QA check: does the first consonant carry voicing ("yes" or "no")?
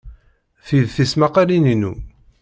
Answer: no